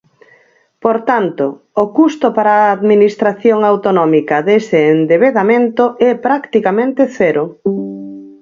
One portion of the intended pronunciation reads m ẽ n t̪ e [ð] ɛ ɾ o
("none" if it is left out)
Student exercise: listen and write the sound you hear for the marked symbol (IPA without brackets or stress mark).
θ